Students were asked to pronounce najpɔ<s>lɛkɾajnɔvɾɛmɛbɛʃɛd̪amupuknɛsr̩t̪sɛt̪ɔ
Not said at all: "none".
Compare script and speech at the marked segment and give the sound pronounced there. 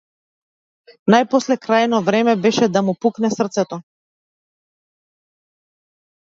s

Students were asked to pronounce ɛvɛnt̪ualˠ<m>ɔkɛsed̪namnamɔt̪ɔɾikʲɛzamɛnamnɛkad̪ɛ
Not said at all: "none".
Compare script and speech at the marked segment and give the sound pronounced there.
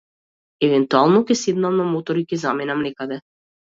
n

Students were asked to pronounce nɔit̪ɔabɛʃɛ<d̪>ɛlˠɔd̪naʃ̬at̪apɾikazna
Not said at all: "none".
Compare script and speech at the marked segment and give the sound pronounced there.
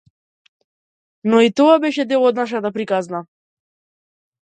d̪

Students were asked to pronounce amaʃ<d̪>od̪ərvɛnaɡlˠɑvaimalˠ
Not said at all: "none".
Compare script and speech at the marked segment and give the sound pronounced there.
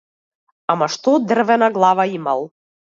t̪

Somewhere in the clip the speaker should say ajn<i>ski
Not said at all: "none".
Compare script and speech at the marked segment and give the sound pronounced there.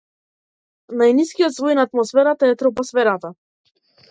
i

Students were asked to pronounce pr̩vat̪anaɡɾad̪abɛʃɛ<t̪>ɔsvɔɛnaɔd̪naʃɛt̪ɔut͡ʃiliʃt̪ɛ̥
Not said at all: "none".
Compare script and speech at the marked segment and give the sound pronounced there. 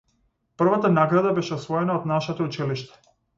none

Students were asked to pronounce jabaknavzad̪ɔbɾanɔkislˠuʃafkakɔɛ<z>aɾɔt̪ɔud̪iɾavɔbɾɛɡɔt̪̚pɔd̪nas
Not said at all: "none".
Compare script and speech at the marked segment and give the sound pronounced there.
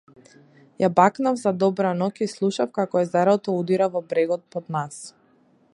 z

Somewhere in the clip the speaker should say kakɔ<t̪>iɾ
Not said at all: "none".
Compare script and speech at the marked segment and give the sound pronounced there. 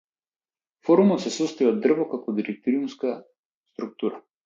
d̪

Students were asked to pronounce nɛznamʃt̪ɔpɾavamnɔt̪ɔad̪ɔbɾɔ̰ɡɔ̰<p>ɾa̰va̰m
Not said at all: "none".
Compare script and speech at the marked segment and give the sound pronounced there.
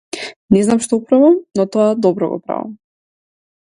p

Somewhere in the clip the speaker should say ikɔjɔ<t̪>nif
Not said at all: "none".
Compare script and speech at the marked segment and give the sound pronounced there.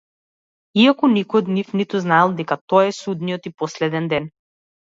d̪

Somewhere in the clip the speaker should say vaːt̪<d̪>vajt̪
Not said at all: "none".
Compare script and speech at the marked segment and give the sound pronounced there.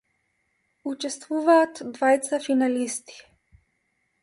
d̪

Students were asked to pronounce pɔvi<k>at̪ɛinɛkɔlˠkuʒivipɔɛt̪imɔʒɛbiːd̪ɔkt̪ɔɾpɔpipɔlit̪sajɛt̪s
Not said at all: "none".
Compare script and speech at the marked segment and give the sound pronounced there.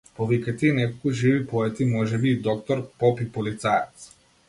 k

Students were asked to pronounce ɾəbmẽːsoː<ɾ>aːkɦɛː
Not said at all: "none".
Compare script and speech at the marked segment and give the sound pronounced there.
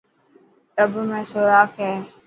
ɾ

